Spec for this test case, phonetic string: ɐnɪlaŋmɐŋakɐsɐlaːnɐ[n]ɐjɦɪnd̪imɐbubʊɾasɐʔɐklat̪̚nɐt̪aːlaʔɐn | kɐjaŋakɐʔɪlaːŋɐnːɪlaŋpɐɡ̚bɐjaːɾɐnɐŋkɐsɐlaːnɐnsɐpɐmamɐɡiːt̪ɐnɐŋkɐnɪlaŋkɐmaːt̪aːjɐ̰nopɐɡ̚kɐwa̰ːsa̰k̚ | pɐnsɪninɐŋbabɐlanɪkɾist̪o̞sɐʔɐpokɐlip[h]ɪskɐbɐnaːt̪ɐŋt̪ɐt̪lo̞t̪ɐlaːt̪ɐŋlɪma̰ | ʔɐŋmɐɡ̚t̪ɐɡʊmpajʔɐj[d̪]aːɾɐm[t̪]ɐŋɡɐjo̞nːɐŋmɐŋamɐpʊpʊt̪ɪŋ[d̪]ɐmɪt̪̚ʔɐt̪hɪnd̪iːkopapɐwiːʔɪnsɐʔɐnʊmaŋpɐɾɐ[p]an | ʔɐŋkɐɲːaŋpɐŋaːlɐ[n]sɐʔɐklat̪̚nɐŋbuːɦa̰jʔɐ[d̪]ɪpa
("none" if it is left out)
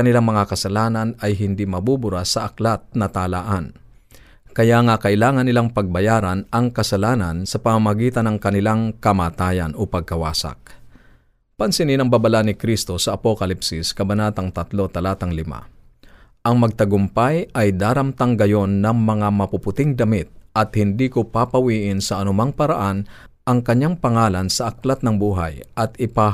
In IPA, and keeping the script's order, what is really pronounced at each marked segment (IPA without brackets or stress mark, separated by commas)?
n, s, d̪, t̪, d̪, ʔ, n, t̪